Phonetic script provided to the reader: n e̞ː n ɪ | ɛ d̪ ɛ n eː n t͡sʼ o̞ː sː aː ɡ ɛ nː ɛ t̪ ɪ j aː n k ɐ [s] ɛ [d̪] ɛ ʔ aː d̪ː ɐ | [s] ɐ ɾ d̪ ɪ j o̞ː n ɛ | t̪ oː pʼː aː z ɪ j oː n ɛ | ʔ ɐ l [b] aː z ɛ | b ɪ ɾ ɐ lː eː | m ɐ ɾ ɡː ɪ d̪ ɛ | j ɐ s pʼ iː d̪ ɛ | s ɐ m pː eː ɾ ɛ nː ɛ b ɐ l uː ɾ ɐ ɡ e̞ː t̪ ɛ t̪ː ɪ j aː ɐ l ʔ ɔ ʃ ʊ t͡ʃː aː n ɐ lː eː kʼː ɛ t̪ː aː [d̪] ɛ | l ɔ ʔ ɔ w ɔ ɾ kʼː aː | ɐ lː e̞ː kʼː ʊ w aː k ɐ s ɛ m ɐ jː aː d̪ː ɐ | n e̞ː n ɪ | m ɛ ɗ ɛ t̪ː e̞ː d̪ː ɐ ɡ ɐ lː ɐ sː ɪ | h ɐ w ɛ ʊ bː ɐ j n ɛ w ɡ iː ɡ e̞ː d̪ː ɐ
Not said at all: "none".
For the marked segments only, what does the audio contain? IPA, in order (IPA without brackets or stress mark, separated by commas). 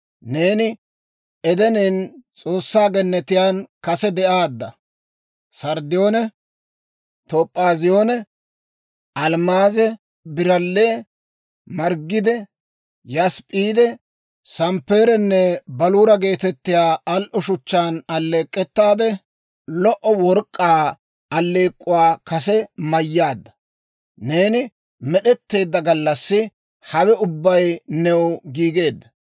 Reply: s, d̪, s, m, d̪